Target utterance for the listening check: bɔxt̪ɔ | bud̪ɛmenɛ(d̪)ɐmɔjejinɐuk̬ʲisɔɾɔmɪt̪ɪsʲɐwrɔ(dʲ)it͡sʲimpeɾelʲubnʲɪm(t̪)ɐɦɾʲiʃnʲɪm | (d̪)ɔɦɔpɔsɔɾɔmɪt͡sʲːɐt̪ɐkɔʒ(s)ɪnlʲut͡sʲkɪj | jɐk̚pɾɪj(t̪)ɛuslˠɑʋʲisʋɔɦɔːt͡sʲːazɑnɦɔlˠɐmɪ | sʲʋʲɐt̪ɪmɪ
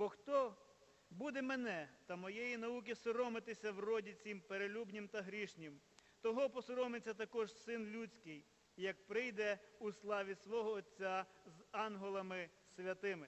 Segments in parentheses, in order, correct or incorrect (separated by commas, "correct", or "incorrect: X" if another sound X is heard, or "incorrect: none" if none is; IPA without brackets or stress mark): incorrect: t̪, correct, correct, incorrect: t̪, correct, incorrect: d̪